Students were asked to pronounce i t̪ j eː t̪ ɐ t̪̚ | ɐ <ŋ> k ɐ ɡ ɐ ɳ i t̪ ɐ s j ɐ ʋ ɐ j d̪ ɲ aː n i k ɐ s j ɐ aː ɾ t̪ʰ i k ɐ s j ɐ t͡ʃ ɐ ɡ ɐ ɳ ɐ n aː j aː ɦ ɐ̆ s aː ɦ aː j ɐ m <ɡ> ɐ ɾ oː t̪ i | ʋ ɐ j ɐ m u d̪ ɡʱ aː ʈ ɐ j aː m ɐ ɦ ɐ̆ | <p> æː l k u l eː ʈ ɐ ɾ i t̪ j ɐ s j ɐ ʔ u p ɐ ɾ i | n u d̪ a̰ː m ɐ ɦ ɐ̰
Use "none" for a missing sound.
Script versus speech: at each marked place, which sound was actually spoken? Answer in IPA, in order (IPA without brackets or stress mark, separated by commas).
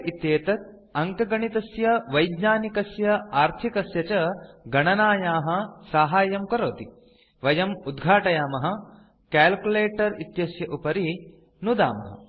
ŋ, k, k